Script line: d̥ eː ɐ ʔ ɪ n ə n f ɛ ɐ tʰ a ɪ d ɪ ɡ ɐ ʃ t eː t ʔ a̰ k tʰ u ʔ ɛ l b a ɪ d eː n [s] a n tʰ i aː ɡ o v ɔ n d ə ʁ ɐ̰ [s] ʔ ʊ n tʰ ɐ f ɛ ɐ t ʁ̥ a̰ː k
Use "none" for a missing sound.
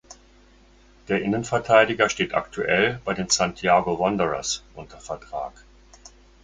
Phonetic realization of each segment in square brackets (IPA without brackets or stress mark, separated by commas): s, s